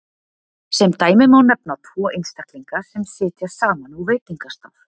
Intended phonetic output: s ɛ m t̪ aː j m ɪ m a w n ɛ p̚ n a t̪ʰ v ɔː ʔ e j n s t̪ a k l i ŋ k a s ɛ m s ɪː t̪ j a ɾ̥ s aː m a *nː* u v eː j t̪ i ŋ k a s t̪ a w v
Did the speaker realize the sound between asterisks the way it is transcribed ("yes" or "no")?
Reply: no